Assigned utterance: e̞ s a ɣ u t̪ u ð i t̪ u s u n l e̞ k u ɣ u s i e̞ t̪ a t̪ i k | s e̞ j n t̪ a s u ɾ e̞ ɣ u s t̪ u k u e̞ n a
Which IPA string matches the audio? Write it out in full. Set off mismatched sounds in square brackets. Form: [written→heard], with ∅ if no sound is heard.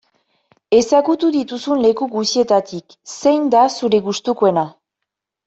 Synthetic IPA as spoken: e̞ s a ɣ u t̪ u ð i t̪ u s u n l e̞ k u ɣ u s i e̞ t̪ a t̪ i k | s e̞ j n [t̪→d̪] a s u ɾ e̞ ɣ u s t̪ u k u e̞ n a

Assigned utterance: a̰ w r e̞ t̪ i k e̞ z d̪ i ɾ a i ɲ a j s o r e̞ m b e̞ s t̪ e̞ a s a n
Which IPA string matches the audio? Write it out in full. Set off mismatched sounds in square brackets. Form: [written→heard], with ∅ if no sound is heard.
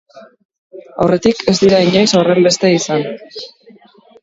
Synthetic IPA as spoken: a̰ w r e̞ t̪ i k e̞ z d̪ i ɾ a i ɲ a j s o r e̞ m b e̞ s t̪ e̞ [a→i] s a n

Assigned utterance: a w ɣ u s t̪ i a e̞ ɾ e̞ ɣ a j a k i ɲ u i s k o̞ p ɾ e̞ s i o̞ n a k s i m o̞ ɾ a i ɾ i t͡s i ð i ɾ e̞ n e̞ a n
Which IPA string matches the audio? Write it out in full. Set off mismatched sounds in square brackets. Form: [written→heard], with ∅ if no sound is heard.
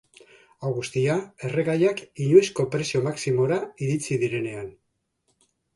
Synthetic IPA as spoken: a w ɣ u s t̪ i a e̞ [ɾ→r] e̞ ɣ a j a k i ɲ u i s k o̞ p ɾ e̞ s i o̞ [n→m] a k s i m o̞ ɾ a i ɾ i t͡s i ð i ɾ e̞ n e̞ a n

